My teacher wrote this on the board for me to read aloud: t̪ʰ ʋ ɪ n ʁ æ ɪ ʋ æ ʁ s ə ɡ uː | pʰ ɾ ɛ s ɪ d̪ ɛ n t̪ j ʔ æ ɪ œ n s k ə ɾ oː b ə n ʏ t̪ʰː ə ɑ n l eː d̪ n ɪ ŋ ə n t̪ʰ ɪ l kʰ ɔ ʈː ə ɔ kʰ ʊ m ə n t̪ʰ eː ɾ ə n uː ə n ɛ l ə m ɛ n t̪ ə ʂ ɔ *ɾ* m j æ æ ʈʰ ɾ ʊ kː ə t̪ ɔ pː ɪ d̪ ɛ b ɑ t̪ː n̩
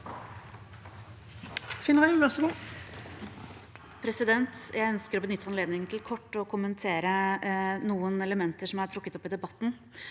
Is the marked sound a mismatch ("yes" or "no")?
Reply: yes